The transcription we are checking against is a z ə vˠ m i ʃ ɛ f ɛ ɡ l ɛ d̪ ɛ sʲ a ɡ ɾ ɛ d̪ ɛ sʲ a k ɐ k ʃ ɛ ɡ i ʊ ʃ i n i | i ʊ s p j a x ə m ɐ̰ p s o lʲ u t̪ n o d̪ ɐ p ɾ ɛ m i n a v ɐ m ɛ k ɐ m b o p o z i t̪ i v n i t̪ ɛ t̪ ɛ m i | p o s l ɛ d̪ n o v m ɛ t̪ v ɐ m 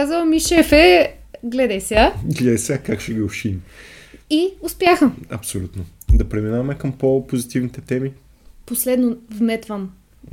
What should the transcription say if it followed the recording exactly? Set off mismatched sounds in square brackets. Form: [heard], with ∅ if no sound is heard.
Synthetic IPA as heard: a z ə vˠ m i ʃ ɛ f ɛ ɡ l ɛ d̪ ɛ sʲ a ɡ [l] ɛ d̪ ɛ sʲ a k [a] k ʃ ɛ ɡ i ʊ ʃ i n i | i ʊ s p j a x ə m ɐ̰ p s o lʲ u t̪ n o d̪ ɐ p ɾ ɛ m i n a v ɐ m ɛ k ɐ m [p] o p o z i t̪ i v n i t̪ ɛ t̪ ɛ m i | p o s l ɛ d̪ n o v m ɛ t̪ v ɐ m